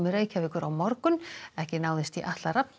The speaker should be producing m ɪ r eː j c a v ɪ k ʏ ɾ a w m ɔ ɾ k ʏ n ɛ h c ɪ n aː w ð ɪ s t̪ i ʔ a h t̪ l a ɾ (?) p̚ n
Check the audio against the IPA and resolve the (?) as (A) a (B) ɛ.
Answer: A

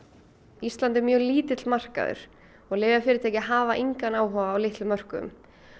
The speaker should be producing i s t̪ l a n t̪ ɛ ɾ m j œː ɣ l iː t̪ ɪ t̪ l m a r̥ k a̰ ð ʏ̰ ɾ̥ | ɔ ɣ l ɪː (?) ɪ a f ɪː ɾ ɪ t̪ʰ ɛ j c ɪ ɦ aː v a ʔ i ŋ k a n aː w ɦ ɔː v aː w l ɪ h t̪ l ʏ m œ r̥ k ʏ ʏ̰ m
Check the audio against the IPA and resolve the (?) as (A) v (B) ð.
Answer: A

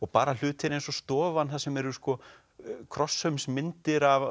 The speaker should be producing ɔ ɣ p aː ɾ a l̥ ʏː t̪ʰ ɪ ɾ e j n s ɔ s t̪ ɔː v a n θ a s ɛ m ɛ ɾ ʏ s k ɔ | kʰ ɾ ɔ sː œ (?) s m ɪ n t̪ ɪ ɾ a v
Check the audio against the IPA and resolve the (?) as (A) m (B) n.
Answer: A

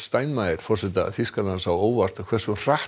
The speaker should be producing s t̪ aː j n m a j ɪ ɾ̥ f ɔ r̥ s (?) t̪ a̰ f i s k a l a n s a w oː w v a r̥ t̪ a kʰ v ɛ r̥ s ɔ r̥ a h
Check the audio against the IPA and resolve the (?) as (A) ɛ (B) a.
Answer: A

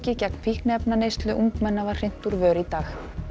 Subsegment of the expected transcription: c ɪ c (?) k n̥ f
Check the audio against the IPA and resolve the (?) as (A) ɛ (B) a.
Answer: A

